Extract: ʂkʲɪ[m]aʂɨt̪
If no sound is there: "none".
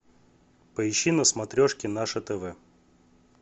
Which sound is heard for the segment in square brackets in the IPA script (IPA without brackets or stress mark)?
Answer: n